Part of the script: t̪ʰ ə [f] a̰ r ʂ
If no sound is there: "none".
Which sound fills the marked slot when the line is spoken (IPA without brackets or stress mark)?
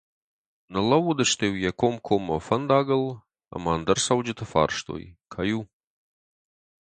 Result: f